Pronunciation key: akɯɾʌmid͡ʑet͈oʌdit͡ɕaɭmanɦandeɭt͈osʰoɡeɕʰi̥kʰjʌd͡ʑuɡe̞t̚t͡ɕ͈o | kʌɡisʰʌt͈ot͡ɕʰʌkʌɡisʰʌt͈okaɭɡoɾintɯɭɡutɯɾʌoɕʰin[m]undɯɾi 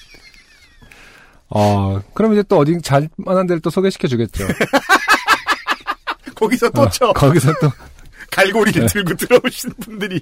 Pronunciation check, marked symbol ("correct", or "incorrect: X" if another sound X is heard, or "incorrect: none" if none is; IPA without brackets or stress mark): incorrect: b